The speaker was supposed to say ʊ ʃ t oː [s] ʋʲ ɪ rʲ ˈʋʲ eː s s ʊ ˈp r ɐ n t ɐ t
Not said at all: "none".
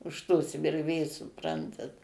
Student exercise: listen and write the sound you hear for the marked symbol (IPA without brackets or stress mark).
s